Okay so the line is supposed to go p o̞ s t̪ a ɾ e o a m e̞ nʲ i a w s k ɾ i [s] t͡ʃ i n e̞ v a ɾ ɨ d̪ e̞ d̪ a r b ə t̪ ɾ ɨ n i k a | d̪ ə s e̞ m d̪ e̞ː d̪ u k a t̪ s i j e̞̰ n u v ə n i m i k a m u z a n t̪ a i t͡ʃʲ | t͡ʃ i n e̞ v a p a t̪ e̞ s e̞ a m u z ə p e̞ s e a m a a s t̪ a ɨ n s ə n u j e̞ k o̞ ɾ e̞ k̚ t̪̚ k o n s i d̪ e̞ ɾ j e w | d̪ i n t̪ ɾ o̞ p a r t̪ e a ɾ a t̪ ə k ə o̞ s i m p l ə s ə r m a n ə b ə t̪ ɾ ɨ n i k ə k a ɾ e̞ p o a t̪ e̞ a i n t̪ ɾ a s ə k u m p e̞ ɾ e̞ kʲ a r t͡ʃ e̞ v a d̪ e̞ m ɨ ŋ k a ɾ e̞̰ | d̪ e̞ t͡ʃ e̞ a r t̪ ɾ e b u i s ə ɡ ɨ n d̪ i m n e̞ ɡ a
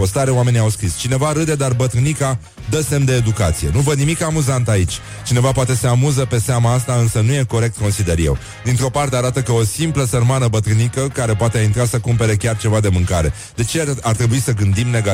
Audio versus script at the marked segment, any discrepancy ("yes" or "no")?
no